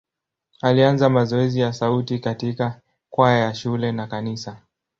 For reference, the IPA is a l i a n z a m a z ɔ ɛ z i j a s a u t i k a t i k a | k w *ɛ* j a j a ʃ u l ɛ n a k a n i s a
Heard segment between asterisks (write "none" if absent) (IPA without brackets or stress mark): a